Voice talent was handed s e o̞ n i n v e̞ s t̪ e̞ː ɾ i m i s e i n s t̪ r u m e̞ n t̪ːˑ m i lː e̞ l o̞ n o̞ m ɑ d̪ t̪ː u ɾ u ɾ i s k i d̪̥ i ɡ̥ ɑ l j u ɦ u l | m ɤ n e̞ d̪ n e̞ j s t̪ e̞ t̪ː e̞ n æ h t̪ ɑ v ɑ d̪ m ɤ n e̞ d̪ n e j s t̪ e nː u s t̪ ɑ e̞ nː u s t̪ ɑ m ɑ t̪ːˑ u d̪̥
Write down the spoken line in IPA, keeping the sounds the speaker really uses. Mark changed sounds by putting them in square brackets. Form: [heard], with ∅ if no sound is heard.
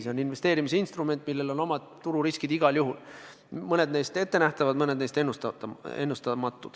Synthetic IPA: s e o̞ n i n v e̞ s t̪ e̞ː ɾ i m i s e i n s t̪ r u m e̞ n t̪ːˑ m i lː e̞ l o̞ n o̞ m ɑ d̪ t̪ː u ɾ u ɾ i s k i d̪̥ i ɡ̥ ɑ l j u ɦ u l | m ɤ n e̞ d̪ n e̞ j s t̪ e̞ t̪ː e̞ n æ h t̪ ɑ v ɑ d̪ m ɤ n e̞ d̪ n e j s t̪ e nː u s t̪ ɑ e̞ nː u s t̪ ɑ m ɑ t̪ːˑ u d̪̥